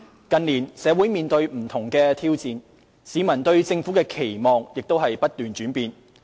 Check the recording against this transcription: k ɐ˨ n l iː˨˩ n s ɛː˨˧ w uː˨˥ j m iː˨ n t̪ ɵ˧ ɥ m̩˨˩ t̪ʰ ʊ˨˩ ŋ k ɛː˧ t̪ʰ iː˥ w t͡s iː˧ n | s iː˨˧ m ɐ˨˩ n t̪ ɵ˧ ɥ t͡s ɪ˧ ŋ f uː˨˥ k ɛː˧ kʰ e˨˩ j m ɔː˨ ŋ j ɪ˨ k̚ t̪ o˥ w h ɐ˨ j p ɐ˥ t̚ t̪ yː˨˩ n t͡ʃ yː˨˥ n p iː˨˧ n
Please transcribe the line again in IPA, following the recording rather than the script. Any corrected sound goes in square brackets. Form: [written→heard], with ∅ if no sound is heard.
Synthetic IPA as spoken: k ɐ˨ n l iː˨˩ n s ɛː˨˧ w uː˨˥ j m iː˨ n t̪ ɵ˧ ɥ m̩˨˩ t̪ʰ ʊ˨˩ ŋ k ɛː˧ t̪ʰ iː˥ w t͡s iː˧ n | s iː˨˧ m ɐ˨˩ n t̪ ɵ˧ ɥ t͡s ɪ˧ ŋ f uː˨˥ k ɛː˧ kʰ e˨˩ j m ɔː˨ ŋ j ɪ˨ k̚ t̪ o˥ w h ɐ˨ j p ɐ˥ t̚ t̪ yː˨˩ n t͡ʃ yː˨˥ n p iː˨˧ n